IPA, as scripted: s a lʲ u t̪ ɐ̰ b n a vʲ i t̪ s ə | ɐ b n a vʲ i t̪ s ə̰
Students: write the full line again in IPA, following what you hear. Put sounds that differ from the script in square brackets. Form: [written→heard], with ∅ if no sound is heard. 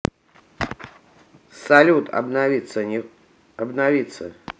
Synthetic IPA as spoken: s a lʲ u t̪ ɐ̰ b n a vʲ i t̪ s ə | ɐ b n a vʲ i t̪ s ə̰